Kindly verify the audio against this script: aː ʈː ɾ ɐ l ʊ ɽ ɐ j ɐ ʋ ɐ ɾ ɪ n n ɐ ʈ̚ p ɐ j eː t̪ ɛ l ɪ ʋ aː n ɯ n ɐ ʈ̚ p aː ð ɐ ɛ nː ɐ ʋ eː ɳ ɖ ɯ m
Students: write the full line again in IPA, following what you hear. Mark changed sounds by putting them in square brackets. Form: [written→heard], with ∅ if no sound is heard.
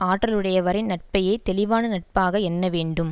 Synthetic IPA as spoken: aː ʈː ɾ ɐ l [ʊ→ɯ] ɽ ɐ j ɐ ʋ ɐ ɾ ɪ n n ɐ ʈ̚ p ɐ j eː t̪ ɛ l ɪ ʋ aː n ɯ n ɐ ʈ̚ p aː [ð→ɣ] ɐ ɛ nː ɐ ʋ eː ɳ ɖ ɯ m